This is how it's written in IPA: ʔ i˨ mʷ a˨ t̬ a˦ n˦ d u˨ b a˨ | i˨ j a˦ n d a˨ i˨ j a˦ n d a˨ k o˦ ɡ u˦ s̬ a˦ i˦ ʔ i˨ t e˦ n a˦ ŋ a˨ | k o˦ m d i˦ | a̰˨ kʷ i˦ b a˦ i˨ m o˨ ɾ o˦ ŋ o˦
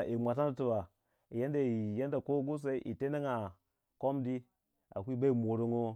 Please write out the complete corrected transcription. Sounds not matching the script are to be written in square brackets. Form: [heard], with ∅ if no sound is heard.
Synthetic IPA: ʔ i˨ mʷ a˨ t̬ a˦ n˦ [t] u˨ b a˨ | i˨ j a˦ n d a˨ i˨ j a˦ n d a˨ k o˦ ɡ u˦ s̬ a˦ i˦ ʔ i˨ t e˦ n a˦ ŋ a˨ | k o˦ m d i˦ | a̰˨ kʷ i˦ b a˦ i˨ m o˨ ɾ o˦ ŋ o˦